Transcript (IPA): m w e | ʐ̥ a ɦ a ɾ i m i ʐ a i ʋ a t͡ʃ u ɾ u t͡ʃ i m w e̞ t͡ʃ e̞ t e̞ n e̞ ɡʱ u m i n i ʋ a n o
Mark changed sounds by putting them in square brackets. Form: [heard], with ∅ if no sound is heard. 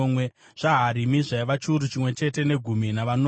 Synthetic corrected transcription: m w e | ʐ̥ a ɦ a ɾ i m i ʐ a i ʋ a t͡ʃ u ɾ u t͡ʃ i m w e̞ t͡ʃ e̞ t e̞ n e̞ ɡʱ u m i n [a] ʋ a n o